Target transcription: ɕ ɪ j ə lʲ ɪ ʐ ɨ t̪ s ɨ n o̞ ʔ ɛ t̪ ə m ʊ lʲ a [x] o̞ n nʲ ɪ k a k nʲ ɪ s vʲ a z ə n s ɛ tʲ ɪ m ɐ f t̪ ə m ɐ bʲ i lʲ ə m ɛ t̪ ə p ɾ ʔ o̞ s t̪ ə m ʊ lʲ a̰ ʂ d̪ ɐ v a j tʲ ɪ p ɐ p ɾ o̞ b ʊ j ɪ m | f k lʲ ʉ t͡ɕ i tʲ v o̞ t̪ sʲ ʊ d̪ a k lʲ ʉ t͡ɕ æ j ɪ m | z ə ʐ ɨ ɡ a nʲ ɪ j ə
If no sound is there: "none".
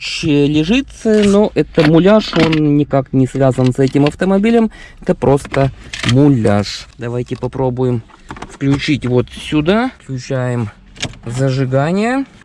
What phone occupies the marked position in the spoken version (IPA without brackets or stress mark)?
ʂ